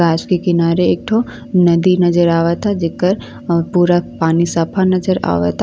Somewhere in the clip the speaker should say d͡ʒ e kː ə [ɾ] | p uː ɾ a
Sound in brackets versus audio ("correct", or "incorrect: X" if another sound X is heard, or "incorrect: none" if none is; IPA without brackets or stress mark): correct